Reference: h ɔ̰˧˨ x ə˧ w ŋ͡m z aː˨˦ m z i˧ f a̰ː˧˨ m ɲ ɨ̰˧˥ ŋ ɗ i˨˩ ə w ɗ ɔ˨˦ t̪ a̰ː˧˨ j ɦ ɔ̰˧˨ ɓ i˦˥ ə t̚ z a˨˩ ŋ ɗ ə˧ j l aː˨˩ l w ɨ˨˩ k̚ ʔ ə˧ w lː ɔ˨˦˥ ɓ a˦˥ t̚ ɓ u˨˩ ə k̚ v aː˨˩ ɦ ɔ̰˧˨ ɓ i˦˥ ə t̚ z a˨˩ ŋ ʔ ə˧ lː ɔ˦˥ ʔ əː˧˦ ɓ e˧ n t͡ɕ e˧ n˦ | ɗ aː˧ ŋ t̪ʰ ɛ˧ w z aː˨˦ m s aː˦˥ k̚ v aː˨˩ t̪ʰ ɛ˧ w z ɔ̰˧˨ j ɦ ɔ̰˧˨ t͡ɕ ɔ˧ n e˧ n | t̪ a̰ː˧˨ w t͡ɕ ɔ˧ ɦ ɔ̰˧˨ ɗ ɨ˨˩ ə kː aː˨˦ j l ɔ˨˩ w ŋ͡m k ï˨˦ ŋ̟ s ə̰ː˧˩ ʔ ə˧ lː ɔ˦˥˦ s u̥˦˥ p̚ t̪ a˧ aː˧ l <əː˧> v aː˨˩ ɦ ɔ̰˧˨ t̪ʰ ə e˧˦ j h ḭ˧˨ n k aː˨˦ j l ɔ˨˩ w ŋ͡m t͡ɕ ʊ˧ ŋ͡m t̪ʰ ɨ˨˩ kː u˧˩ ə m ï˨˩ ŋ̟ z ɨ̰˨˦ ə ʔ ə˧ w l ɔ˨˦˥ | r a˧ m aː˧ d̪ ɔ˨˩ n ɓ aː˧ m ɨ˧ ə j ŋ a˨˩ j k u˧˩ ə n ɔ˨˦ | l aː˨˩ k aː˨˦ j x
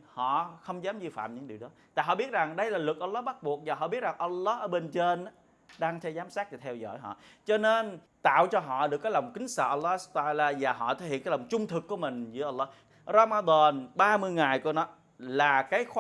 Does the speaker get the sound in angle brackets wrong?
yes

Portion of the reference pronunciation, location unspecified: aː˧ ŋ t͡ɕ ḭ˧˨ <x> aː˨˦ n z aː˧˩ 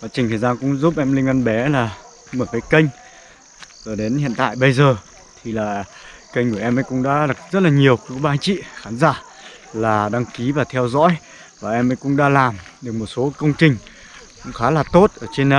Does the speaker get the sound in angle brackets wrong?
no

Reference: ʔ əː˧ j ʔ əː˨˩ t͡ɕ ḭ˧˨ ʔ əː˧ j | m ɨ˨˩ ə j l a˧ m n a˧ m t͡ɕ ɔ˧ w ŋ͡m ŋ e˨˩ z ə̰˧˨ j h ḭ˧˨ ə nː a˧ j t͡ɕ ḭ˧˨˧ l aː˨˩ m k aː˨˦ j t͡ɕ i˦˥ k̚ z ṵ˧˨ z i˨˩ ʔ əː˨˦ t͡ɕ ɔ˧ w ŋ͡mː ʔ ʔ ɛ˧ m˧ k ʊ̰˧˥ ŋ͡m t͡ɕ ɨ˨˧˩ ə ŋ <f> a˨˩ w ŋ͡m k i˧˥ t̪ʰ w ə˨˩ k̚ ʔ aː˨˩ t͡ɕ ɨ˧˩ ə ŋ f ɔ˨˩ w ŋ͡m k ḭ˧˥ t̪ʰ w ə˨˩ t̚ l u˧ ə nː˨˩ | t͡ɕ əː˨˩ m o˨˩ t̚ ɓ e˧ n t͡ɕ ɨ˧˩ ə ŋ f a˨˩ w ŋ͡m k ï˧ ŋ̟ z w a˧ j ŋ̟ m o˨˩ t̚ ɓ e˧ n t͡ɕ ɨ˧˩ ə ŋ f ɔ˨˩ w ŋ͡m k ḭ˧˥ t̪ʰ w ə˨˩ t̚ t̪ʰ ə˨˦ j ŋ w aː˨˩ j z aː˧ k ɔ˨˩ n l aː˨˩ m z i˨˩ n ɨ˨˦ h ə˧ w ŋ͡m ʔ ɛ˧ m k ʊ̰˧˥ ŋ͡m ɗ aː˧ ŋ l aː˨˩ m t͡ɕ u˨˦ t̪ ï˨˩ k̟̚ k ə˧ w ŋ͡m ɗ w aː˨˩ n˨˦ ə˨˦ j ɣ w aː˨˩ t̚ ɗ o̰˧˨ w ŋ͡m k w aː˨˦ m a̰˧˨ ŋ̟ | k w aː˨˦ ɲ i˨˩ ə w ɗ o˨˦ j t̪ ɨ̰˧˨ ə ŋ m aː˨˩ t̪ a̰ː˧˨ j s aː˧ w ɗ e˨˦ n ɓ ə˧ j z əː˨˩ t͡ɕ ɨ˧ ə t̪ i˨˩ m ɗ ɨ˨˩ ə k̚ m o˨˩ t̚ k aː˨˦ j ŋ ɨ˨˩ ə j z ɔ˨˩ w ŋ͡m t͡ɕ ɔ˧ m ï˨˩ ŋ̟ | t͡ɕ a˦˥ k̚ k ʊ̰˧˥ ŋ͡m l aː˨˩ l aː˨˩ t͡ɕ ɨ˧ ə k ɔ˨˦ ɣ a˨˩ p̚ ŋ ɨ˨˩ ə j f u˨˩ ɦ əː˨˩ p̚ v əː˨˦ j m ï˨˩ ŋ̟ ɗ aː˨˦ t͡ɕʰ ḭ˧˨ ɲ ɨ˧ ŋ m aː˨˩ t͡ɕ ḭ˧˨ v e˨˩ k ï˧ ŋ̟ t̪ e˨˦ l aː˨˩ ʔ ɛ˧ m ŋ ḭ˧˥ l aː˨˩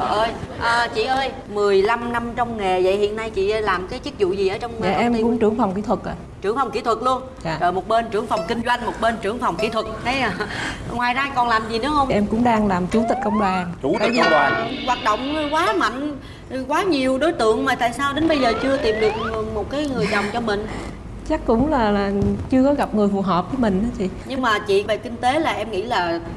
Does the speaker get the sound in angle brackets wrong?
no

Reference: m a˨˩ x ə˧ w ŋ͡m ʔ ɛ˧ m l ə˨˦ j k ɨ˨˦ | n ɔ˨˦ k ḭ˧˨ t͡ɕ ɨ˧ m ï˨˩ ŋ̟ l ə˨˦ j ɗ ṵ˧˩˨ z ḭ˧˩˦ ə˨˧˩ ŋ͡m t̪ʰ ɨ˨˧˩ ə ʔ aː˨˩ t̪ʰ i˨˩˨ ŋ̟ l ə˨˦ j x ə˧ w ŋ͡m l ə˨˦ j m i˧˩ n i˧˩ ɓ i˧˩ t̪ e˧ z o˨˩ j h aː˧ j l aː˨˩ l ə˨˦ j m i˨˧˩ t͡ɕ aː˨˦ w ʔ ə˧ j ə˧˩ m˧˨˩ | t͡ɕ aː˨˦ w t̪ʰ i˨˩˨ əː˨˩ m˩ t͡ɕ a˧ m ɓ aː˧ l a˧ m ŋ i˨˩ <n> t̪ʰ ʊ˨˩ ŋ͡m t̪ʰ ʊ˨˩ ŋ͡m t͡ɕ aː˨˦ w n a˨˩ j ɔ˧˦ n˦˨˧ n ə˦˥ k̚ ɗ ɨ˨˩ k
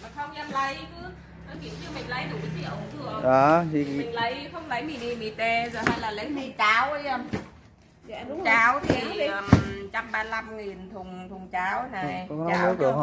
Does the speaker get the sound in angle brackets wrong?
no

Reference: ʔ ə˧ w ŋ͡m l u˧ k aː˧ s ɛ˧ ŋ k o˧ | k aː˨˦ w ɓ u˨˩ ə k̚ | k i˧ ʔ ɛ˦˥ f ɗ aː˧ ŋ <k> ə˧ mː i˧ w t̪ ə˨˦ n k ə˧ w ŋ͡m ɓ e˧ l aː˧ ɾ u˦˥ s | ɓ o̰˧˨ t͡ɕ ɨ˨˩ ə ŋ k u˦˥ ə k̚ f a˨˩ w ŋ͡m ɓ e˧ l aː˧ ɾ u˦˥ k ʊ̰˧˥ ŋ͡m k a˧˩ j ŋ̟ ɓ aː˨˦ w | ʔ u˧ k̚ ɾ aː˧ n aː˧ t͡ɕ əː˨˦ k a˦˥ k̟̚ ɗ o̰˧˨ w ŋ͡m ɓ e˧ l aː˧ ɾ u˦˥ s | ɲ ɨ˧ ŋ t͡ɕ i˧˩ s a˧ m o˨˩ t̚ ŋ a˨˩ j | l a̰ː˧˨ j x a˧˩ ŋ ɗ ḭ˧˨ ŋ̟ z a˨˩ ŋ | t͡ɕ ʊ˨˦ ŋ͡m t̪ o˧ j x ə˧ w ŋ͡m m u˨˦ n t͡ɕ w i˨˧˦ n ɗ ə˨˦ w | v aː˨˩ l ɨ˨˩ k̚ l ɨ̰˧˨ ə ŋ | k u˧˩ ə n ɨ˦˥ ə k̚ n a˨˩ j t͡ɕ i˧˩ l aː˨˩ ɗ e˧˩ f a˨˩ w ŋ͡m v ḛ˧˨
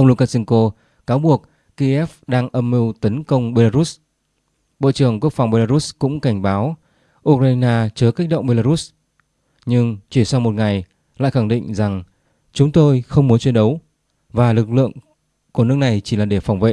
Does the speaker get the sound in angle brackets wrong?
yes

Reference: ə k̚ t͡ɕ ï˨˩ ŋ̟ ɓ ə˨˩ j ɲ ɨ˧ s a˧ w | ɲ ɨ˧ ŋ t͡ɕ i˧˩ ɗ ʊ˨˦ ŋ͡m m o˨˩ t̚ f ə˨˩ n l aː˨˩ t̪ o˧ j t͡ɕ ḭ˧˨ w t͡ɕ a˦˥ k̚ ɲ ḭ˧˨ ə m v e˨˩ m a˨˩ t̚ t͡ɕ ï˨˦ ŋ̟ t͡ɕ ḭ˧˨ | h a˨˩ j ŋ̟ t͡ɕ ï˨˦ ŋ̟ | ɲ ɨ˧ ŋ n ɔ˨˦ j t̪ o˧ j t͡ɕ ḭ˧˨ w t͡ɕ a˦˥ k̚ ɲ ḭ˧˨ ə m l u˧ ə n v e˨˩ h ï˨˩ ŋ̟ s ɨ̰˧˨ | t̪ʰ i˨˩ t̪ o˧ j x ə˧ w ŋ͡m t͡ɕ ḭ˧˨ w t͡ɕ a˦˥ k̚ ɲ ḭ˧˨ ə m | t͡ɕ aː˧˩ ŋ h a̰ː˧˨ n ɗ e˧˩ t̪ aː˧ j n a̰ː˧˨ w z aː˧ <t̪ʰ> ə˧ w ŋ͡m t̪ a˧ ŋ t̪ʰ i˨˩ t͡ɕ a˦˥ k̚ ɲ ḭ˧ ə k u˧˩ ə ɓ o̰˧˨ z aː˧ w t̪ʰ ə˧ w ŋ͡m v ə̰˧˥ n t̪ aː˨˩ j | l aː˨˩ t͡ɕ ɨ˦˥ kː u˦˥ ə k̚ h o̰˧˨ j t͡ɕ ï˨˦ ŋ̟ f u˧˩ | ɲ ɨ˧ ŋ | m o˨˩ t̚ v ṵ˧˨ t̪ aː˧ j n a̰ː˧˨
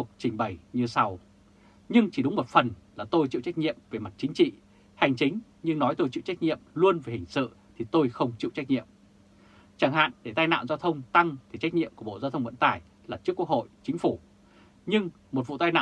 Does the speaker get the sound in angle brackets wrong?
no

